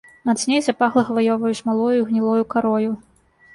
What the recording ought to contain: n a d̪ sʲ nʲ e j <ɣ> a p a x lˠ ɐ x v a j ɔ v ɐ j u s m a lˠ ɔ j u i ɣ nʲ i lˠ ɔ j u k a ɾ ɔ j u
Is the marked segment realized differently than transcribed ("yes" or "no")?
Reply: yes